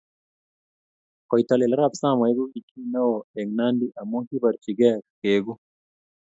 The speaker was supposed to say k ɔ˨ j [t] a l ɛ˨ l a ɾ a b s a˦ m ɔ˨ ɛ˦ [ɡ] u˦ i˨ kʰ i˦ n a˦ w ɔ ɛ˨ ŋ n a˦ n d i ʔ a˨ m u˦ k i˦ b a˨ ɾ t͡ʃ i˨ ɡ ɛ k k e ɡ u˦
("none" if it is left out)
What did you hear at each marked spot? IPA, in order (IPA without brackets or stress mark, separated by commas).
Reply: t, ɡ